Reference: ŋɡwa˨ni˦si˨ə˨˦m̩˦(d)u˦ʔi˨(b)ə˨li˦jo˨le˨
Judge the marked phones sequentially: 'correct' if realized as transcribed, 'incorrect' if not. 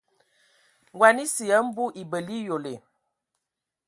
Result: incorrect, correct

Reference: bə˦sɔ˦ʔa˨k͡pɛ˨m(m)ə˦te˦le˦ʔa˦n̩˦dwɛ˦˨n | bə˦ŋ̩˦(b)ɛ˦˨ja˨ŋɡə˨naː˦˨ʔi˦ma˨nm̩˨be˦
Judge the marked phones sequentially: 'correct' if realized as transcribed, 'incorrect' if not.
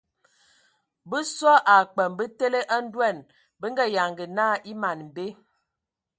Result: incorrect, incorrect

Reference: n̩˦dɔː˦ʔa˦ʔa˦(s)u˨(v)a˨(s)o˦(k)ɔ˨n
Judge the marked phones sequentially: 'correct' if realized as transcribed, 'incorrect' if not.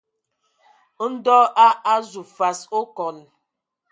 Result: incorrect, incorrect, correct, correct

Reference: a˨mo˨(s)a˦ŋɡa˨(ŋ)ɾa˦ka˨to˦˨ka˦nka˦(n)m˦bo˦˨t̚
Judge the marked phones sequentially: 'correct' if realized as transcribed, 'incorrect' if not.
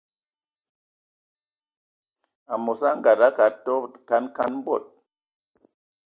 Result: correct, incorrect, correct

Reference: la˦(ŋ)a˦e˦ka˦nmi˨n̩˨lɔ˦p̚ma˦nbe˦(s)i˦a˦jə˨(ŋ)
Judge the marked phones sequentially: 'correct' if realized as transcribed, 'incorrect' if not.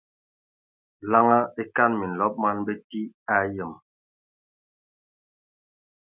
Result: correct, incorrect, incorrect

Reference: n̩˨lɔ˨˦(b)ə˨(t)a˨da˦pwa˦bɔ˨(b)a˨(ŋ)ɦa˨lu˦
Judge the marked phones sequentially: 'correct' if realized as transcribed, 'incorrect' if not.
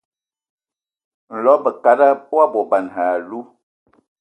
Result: correct, incorrect, correct, incorrect

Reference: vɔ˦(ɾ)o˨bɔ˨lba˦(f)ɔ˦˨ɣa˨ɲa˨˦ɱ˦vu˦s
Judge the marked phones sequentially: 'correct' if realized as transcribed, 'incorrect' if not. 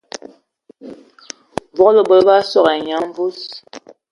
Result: incorrect, incorrect

